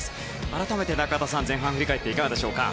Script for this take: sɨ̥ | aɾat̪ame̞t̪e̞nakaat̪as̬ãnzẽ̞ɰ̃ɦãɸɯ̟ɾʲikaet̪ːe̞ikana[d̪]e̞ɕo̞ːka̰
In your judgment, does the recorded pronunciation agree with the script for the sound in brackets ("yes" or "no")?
yes